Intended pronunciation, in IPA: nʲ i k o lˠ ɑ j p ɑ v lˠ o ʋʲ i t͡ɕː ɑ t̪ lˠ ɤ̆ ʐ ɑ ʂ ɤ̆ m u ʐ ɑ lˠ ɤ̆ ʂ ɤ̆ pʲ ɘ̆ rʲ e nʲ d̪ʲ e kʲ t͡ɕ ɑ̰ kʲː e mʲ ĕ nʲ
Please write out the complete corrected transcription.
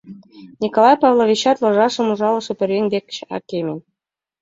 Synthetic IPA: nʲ i k o lˠ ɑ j p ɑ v lˠ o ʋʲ i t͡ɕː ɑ t̪ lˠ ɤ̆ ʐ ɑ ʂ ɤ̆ m u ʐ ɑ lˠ ɤ̆ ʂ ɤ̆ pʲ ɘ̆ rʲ e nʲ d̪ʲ e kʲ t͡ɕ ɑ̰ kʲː e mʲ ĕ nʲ